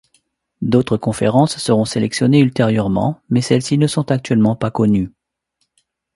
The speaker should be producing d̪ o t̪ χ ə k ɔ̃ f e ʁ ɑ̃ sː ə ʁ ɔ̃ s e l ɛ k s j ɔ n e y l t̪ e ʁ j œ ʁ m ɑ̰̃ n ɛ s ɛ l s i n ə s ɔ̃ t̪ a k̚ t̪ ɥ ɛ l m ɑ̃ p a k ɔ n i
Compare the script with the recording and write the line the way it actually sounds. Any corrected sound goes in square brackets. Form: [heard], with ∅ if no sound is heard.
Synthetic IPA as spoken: d̪ o t̪ χ ə k ɔ̃ f e ʁ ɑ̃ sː ə ʁ ɔ̃ s e l ɛ k s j ɔ n e y l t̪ e ʁ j œ ʁ m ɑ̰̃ [m] ɛ s ɛ l s i n ə s ɔ̃ t̪ a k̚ t̪ ɥ ɛ l m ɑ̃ p a k ɔ n [y]